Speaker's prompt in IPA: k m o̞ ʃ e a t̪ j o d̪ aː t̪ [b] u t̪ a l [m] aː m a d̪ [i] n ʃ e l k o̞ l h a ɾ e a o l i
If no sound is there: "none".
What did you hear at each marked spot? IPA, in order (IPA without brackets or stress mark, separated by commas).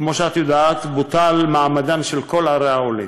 b, m, a